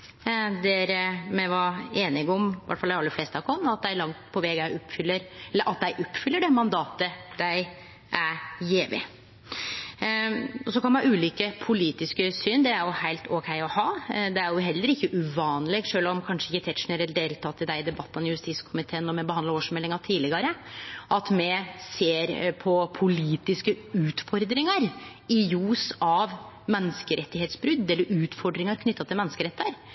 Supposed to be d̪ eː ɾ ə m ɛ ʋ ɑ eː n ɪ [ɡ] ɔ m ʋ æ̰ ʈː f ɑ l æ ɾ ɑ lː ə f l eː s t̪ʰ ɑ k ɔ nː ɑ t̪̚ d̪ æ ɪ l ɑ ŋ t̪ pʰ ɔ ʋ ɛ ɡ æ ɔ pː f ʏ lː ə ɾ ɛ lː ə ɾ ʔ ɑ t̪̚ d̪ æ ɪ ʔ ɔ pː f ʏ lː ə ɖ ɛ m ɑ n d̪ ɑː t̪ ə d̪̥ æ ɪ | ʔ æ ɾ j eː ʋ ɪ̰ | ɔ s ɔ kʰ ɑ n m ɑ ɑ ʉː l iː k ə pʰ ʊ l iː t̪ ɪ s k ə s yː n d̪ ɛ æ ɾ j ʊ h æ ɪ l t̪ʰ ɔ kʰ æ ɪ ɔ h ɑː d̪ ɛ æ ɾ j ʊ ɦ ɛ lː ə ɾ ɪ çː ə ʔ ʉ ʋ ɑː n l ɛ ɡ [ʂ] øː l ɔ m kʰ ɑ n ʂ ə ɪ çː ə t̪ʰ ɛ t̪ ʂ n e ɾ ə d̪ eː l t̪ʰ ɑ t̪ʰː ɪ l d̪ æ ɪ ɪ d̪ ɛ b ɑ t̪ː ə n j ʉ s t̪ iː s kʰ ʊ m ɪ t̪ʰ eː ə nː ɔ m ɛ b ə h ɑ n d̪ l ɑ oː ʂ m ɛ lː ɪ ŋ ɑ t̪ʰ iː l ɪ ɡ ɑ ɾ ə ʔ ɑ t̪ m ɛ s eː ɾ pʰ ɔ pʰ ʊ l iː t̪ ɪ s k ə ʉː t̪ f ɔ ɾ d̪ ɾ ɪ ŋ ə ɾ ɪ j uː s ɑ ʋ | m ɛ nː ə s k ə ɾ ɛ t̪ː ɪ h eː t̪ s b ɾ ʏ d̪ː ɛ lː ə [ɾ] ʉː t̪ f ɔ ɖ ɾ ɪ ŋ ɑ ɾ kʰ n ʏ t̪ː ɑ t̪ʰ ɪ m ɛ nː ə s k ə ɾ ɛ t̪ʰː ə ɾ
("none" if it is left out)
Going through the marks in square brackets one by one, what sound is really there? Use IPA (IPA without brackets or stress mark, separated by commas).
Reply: ɡ, ʂ, ɾ